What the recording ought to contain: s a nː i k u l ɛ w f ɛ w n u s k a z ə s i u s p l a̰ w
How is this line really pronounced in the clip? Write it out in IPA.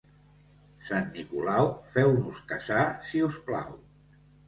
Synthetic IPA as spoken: s a nː i k u l a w f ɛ w n u s k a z a s i u s p l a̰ w